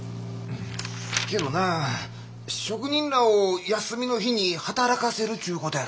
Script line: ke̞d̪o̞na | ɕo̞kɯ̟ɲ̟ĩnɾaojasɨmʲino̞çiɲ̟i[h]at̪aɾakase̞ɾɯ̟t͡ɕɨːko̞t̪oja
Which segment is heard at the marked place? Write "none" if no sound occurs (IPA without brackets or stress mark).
h